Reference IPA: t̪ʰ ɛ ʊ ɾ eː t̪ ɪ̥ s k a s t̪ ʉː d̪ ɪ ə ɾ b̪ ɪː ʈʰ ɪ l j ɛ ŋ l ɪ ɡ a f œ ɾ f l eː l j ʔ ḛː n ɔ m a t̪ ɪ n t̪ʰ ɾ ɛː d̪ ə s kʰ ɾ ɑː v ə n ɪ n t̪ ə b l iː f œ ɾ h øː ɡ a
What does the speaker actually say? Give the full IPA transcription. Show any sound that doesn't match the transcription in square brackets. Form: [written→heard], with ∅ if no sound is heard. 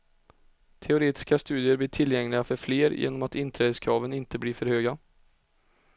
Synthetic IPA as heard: t̪ʰ ɛ ʊ ɾ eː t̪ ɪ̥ s k a s t̪ ʉː d̪ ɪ ə ɾ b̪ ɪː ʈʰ ɪ l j ɛ ŋ l ɪ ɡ a f œ ɾ f l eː [l→ɾ] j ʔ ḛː n ɔ m a t̪ ɪ n t̪ʰ ɾ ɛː d̪ ə s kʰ ɾ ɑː v ə n ɪ n t̪ ə b l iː f œ ɾ h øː ɡ a